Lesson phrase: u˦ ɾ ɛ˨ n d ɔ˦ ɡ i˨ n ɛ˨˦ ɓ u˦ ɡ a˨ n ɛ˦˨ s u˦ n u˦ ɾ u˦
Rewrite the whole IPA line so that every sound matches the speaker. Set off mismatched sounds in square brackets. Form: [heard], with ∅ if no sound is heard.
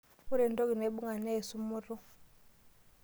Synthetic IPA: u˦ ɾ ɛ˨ n d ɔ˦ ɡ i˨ n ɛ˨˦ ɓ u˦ [ŋ] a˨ n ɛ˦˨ s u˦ [m] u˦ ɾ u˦